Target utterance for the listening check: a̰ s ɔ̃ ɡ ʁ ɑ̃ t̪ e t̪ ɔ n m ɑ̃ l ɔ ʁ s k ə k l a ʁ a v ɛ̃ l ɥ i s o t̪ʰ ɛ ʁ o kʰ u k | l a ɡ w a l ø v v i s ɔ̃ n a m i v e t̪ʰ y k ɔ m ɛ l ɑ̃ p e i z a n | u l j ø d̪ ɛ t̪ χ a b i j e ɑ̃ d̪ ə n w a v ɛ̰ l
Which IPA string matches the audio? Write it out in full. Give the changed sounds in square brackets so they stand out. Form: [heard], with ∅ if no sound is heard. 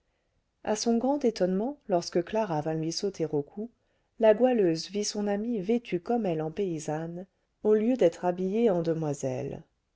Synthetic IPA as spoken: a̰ s ɔ̃ ɡ ʁ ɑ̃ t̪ e t̪ ɔ n m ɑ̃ l ɔ ʁ s k ə k l a ʁ a v ɛ̃ l ɥ i s o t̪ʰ [e] ʁ o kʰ u [∅] | l a ɡ w a l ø [z] v i s ɔ̃ n a m i v e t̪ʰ y k ɔ m ɛ l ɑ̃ p e i z a n | [o] l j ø d̪ ɛ t̪ χ a b i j e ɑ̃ d̪ ə [m] w a [z] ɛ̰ l